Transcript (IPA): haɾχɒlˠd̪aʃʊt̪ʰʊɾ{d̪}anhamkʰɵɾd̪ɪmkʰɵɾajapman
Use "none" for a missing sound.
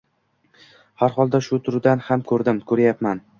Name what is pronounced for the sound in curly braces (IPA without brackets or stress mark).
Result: d̪